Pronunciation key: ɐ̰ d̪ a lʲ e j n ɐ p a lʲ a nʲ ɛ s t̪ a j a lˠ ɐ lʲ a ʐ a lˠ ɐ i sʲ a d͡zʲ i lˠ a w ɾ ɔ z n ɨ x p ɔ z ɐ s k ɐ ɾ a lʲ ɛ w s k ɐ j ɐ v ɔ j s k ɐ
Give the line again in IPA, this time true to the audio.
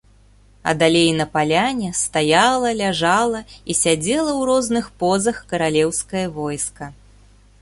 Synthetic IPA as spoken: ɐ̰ d̪ a lʲ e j n ɐ p a lʲ a nʲ ɛ s t̪ a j a lˠ ɐ lʲ a ʐ a lˠ ɐ i sʲ a d͡zʲ ɛ lˠ ɐ w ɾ ɔ z n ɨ x p ɔ z ɐ x k ɐ ɾ a lʲ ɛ w s k ɐ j ɐ v ɔ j s k ɐ

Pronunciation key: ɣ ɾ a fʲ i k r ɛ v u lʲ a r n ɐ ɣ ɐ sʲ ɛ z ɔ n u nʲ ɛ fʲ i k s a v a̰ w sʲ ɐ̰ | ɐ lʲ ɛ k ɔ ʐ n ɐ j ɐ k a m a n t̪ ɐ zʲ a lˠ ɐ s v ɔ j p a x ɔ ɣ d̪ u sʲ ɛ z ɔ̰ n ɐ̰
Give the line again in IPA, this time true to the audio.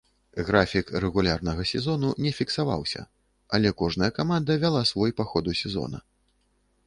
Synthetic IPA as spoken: ɣ ɾ a fʲ i k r ɛ ɣ u lʲ a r n ɐ ɣ ɐ sʲ ɛ z ɔ n u nʲ ɛ fʲ i k s a v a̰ w sʲ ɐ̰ | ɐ lʲ ɛ k ɔ ʐ n ɐ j ɐ k a m a n d̪ ɐ vʲ a lˠ a s v ɔ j p a x ɔ d̪ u sʲ ɛ z ɔ̰ n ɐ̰

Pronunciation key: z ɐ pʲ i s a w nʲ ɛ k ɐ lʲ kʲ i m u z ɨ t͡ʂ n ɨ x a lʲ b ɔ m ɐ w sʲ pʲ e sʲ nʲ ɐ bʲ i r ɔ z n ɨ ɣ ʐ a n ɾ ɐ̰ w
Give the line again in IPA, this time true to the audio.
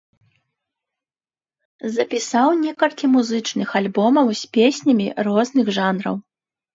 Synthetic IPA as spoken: z ɐ pʲ i s a w nʲ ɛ k ɐ lʲ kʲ i m u z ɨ t͡ʂ n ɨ x a lʲ b ɔ m ɐ w sʲ pʲ e sʲ nʲ ɐ mʲ i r ɔ z n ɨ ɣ ʐ a n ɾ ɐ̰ w

